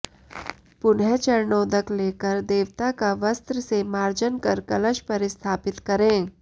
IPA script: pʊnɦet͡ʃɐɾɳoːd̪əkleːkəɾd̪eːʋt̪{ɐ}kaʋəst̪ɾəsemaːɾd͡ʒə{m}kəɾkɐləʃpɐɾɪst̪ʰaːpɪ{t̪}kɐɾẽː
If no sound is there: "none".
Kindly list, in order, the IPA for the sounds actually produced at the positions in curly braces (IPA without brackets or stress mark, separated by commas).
a, n, t̪